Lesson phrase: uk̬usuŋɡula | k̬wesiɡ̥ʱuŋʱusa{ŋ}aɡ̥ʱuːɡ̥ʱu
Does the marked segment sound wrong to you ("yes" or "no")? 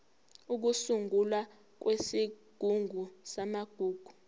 yes